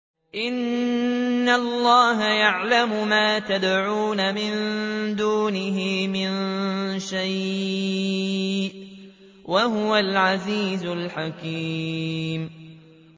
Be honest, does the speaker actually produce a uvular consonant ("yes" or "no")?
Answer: no